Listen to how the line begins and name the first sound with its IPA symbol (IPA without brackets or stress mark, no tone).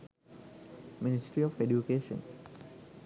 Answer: m